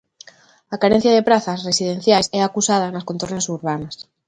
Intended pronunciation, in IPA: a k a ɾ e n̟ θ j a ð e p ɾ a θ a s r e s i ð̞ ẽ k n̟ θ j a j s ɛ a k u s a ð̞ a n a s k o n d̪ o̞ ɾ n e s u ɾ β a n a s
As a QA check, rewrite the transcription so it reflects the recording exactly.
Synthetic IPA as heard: a k a ɾ e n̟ θ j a ð e p ɾ a θ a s r e s i ð̞ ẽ n̟ θ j a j s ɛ a k u s a ð̞ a n a s k o n t̪ o̞ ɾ n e s u ɾ β a n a s